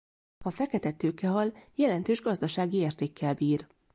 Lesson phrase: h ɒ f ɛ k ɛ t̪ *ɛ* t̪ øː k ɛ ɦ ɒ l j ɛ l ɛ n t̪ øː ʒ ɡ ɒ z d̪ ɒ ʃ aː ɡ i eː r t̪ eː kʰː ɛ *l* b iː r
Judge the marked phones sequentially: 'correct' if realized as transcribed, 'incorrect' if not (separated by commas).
correct, correct